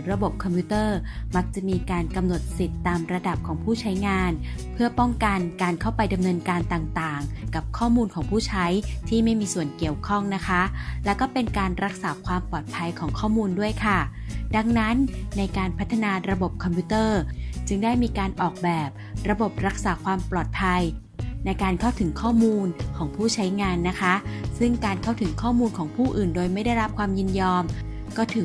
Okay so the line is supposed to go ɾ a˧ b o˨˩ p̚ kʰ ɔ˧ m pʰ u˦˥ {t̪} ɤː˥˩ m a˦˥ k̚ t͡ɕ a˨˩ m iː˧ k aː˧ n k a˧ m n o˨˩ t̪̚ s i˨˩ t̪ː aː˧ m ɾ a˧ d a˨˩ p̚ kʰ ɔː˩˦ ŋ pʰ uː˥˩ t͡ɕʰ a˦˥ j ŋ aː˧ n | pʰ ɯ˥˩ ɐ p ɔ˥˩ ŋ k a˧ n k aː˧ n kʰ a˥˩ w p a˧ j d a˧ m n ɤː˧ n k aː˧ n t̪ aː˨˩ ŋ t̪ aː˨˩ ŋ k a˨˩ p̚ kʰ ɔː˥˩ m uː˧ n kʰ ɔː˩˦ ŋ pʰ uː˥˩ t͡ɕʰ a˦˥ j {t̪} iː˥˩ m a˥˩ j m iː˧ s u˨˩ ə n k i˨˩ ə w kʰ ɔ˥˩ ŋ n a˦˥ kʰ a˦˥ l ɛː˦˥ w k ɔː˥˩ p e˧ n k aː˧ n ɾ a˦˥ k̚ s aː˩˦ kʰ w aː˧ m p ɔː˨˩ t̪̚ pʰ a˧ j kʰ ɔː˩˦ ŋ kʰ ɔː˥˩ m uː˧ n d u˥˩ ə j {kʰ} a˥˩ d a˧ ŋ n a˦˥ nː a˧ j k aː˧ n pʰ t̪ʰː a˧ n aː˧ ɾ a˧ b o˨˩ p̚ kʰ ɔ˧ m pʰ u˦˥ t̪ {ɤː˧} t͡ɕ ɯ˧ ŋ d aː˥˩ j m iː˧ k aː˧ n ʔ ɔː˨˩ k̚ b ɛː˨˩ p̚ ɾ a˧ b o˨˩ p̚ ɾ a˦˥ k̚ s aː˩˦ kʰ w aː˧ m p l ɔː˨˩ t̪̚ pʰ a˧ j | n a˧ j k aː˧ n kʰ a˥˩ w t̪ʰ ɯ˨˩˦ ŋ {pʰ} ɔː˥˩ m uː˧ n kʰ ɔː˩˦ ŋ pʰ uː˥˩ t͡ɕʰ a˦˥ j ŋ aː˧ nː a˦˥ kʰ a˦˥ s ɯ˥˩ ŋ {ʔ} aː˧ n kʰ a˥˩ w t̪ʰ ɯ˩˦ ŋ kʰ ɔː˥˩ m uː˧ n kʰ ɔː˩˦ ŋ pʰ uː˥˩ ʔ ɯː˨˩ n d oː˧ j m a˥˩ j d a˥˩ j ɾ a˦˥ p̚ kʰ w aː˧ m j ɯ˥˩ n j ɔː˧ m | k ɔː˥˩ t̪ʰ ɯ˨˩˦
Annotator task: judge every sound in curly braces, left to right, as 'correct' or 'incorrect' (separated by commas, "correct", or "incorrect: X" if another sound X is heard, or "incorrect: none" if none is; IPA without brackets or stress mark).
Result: correct, incorrect: t̪ʰ, correct, incorrect: ɤː˥˩, incorrect: kʰ, incorrect: k